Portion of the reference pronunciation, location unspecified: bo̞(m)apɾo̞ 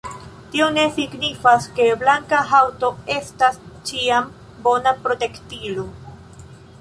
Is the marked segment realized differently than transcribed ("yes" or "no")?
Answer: yes